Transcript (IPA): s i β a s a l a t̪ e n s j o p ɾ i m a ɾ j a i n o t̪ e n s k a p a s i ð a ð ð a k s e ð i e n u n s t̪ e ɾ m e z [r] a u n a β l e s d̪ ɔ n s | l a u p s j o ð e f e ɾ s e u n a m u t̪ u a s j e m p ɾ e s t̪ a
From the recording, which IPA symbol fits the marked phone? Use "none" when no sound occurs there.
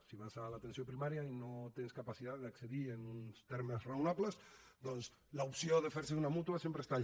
r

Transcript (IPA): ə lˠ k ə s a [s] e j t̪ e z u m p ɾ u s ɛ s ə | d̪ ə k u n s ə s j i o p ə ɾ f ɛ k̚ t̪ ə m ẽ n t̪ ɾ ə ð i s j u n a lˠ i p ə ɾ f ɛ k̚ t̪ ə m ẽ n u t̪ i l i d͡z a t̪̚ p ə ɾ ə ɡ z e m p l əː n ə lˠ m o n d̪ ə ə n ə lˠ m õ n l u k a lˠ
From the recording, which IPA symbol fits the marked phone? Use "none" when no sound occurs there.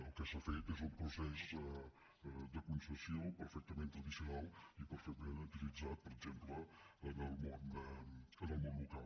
f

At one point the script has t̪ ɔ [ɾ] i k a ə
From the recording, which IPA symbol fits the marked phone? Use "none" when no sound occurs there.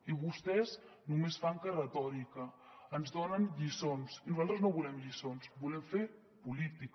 ɾ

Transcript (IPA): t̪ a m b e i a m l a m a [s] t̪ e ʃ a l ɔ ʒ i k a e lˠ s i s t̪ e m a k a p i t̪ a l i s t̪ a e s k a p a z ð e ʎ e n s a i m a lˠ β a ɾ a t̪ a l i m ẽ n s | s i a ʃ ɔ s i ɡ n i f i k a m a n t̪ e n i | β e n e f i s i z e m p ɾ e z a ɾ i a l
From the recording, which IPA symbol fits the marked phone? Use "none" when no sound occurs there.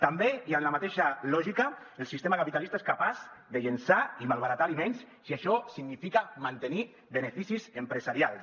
none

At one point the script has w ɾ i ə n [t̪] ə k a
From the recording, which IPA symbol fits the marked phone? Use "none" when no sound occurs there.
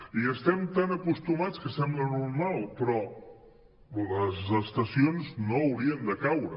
d̪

